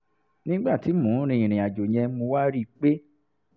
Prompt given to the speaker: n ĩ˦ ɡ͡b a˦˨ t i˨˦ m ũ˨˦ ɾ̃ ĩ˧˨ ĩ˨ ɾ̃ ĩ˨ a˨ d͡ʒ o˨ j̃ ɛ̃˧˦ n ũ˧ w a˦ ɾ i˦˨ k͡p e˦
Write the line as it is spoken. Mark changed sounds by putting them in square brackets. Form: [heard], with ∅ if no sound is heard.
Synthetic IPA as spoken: n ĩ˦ ɡ͡b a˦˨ t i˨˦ m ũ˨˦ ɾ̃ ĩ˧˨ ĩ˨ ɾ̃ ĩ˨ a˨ d͡ʒ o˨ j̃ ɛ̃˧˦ [m] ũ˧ w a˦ ɾ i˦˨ k͡p e˦